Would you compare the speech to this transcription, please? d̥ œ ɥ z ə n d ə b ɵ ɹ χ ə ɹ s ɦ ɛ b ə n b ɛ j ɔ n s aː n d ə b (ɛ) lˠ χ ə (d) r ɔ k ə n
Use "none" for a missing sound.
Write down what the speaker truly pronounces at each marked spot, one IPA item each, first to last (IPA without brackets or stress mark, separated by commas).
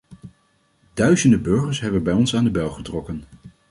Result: ɛ, t